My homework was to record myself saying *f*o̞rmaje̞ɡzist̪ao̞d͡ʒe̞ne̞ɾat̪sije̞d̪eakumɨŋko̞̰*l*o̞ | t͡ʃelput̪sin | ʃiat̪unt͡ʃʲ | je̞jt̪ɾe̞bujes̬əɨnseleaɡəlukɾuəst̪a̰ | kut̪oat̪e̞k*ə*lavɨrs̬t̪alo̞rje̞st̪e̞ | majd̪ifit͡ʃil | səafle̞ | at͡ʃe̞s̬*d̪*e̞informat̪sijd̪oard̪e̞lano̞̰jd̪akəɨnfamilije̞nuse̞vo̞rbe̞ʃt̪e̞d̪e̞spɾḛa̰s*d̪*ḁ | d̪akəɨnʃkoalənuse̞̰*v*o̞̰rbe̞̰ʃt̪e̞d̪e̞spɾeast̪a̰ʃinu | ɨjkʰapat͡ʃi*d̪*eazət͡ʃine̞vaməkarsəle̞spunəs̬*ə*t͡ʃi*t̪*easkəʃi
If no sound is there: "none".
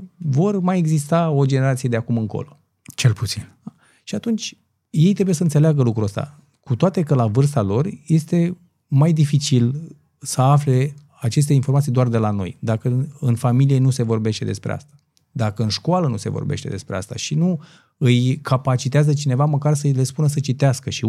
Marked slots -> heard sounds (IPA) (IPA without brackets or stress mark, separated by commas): v, l, ə, t̪, t̪, v, t̪, ə, t̪